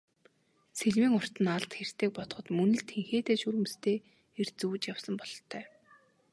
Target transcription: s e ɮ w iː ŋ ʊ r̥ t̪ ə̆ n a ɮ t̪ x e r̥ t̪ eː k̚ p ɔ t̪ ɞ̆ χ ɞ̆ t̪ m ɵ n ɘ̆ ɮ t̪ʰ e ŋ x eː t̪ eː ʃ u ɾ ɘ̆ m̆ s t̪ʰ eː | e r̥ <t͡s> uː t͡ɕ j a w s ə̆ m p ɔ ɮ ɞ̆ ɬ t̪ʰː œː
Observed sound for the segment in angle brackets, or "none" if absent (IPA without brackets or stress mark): t͡s